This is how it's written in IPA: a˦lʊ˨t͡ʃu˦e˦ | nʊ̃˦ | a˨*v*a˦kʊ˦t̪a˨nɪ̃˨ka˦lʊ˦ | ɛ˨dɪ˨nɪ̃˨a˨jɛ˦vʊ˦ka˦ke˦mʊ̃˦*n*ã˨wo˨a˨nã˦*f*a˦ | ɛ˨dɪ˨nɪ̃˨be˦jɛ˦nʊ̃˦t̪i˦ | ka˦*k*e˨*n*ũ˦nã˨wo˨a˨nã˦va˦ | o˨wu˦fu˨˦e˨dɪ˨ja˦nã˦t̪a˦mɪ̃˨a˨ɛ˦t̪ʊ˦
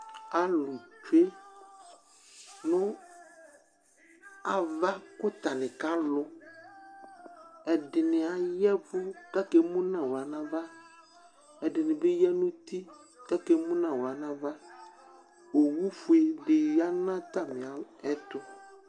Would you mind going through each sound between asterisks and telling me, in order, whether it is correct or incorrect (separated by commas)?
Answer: correct, correct, incorrect, correct, incorrect